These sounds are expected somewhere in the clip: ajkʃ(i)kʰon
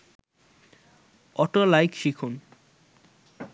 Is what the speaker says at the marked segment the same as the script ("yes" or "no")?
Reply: yes